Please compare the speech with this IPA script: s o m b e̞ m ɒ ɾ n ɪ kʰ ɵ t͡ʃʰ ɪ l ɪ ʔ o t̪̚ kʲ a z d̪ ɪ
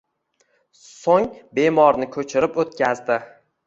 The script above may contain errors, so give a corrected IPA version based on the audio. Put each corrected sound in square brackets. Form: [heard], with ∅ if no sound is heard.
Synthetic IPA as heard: s o [ŋ] b e̞ m ɒ ɾ n ɪ kʰ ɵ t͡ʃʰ ɪ [ɾ] ɪ [p] o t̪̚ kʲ a z d̪ ɪ